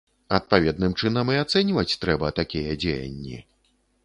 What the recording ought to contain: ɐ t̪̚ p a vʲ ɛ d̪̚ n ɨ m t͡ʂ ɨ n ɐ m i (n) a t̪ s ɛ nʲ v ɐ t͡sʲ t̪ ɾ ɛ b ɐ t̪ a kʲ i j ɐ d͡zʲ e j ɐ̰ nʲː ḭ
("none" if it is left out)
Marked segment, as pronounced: none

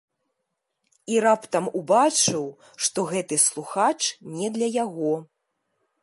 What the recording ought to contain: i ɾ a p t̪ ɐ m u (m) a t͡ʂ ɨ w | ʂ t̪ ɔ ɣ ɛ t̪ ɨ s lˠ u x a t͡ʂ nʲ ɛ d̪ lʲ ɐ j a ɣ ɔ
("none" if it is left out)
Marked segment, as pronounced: b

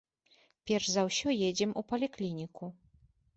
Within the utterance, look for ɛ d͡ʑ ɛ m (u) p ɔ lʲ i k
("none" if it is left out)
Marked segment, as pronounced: u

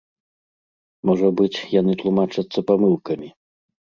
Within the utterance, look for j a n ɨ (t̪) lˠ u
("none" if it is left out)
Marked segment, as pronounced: t̪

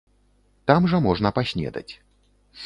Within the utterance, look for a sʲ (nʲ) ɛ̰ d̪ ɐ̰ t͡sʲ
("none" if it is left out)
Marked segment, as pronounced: nʲ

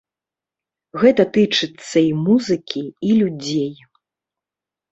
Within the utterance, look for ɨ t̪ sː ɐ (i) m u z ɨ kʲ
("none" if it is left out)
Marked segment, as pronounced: i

